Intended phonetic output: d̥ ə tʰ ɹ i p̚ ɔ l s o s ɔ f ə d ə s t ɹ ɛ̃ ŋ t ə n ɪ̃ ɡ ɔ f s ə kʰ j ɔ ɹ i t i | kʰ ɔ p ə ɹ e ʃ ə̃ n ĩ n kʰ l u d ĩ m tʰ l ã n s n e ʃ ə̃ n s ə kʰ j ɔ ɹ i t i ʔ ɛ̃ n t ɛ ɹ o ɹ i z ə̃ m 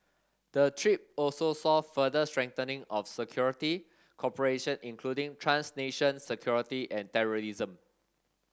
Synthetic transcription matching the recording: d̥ ə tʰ ɹ i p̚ ɔ l s o s ɔ f ə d ə s t ɹ ɛ̃ ŋ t ə n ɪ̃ ŋ ɔ f s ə kʰ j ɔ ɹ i t i | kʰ ɔ p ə ɹ e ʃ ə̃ n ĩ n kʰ l u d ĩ ŋ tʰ ɹ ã n s n e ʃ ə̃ n s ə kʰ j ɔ ɹ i t i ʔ ɛ̃ n t ɛ ɹ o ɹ i z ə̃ m